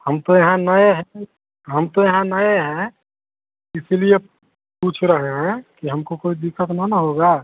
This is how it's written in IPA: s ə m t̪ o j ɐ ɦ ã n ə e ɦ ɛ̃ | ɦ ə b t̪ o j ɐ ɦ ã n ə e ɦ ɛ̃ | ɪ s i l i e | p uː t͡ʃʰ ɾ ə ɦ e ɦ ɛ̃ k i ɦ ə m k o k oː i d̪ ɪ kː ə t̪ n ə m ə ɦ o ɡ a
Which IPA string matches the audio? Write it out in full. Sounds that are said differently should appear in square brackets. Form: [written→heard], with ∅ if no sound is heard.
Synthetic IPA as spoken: [s→h] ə m t̪ o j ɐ ɦ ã n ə e ɦ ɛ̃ | ɦ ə [b→m] t̪ o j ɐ ɦ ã n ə e ɦ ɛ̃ | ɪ s i l i e | p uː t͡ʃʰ ɾ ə ɦ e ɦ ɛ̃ k i ɦ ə m k o k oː i d̪ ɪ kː ə t̪ n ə [m→n] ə ɦ o ɡ a